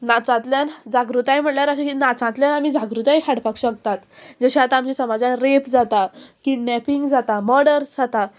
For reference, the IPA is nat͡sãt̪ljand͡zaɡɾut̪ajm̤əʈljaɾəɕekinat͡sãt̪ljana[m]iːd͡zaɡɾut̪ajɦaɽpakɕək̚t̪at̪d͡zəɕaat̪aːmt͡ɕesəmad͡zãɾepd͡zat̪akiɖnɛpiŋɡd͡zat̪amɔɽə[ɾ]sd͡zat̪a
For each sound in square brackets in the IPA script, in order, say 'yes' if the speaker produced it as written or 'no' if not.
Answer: yes, yes

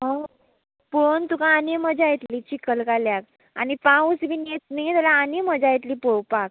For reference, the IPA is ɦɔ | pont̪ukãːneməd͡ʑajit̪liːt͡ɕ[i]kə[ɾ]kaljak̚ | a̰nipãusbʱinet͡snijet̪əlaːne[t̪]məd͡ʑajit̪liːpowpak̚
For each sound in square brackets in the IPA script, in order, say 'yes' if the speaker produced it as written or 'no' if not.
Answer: yes, no, no

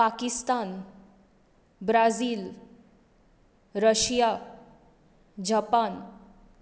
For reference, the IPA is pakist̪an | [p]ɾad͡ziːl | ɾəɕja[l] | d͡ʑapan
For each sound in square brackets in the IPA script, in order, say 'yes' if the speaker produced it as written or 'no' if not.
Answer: no, no

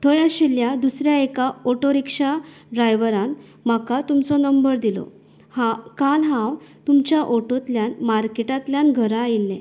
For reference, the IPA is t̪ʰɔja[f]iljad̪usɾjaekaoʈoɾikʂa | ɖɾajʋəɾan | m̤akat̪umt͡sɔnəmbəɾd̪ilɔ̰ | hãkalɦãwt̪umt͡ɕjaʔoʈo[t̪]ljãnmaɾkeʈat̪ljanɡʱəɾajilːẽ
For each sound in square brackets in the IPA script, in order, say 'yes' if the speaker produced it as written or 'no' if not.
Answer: no, yes

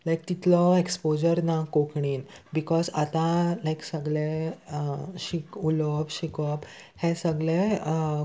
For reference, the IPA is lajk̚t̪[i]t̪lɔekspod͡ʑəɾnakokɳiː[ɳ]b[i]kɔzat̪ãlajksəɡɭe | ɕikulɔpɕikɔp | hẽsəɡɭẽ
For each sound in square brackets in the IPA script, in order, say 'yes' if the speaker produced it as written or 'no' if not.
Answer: yes, no, yes

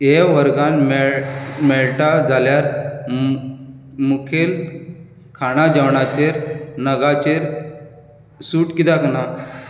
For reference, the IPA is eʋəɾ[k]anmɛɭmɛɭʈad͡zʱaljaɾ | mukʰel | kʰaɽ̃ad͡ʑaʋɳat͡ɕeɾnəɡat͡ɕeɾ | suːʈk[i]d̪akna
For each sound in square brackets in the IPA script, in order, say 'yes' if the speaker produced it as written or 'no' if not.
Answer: no, yes

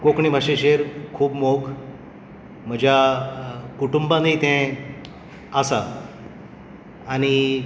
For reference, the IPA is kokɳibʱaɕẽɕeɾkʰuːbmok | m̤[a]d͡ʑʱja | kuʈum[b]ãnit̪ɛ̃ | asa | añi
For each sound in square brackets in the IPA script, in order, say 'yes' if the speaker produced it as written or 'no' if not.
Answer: no, yes

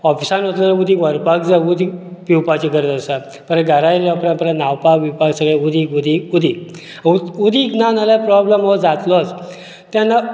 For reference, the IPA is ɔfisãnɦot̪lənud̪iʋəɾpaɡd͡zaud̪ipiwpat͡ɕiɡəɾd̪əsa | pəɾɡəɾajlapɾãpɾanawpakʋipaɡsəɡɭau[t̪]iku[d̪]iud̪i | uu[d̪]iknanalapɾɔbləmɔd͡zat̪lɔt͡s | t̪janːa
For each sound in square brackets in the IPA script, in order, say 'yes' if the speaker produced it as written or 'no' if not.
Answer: no, yes, yes

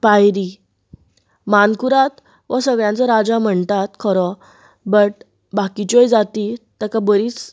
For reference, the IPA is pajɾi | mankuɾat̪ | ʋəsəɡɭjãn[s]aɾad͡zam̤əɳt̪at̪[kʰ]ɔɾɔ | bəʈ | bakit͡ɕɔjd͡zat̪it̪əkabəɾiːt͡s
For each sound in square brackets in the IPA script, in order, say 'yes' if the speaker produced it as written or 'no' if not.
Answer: no, yes

